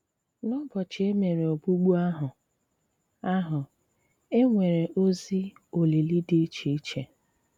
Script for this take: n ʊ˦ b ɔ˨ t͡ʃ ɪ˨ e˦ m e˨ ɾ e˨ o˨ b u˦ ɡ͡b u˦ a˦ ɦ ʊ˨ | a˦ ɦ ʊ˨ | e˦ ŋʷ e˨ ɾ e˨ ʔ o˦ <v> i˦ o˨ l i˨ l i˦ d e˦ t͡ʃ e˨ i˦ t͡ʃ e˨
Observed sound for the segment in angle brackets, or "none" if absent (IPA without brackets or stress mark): z